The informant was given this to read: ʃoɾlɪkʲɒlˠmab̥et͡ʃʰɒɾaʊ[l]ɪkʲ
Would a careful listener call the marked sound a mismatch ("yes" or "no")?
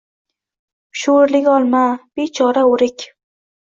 yes